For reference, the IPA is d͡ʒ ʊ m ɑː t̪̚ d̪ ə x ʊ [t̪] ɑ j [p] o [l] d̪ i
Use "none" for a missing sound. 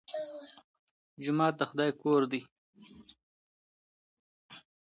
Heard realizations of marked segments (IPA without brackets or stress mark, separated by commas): d̪, k, ɾ